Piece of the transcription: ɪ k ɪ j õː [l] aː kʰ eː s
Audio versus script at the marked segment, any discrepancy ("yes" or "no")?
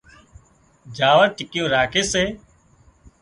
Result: yes